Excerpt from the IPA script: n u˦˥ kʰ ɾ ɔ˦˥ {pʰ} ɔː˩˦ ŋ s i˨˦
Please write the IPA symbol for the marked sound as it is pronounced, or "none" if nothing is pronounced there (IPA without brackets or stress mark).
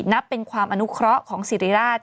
kʰ